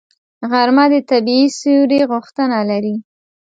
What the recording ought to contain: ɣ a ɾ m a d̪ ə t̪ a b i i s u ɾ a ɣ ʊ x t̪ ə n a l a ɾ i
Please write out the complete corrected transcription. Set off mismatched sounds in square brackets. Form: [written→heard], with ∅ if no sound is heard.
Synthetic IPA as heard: ɣ a ɾ m a d̪ ə t̪ a b i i s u ɾ [a→e] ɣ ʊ x t̪ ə n a l a ɾ i